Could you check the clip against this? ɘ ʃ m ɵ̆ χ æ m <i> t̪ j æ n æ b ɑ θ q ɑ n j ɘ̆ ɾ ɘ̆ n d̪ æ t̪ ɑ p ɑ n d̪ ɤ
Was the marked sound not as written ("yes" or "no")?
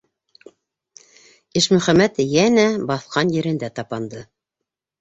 yes